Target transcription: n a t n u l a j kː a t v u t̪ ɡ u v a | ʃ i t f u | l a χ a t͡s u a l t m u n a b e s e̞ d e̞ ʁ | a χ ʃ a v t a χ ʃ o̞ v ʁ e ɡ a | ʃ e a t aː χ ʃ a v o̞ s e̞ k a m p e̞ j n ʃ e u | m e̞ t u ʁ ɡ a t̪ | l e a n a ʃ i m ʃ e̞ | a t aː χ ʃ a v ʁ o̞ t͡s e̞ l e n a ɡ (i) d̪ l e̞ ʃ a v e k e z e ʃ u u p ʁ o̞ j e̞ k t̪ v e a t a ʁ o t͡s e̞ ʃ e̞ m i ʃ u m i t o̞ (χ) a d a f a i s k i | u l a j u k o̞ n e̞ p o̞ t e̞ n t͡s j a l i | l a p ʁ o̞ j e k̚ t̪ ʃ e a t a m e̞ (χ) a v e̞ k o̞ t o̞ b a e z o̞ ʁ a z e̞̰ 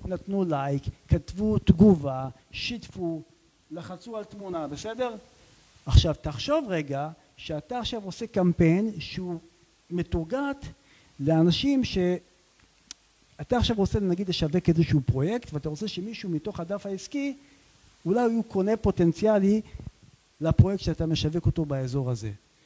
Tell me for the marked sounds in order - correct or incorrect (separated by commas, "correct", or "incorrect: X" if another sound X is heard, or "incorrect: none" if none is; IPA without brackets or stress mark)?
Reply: correct, correct, incorrect: ʃ